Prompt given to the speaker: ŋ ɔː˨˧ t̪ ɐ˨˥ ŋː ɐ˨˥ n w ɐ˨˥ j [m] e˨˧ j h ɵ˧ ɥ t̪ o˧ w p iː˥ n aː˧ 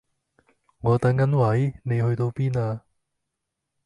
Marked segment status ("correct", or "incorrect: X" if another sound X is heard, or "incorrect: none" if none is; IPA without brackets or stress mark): incorrect: n